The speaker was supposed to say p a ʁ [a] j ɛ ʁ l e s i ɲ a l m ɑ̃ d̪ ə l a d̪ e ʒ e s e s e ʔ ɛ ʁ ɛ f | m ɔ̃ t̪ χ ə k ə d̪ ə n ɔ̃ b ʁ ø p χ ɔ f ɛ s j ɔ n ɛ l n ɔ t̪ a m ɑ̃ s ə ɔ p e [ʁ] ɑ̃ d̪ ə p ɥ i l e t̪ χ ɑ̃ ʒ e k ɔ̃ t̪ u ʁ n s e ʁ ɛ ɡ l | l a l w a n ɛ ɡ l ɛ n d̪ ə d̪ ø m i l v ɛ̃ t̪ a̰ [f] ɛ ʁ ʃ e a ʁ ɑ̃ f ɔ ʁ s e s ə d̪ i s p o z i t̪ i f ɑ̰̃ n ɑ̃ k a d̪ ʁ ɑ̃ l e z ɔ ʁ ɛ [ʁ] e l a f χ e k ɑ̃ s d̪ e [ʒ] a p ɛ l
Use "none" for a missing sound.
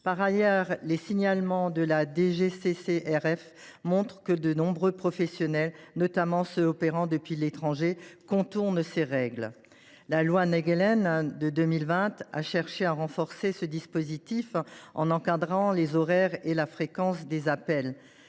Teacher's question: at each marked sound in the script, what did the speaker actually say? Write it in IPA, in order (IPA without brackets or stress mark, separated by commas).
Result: a, ʁ, ʃ, ʁ, z